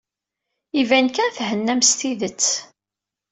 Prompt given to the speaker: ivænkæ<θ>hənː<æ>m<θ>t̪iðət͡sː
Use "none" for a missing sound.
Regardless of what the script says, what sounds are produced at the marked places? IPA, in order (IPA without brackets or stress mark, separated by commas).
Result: θ, æ, s